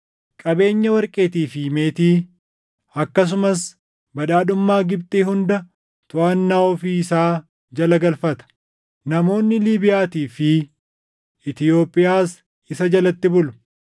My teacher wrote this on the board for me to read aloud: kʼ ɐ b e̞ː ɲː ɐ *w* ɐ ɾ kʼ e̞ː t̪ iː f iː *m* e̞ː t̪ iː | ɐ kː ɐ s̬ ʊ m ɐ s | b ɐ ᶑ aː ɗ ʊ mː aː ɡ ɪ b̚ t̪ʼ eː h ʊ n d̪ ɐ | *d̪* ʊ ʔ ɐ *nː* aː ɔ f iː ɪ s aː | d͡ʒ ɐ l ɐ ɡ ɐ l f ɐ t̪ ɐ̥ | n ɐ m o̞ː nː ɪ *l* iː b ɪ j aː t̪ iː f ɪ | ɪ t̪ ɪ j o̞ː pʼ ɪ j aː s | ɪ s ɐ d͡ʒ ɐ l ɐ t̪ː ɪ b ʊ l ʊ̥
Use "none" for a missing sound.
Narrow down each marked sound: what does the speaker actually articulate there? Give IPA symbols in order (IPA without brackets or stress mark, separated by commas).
w, m, t̪, nː, l